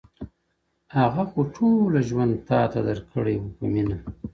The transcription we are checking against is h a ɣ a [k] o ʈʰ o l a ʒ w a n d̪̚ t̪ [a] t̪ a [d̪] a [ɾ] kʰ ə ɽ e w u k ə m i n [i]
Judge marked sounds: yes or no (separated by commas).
no, no, yes, yes, no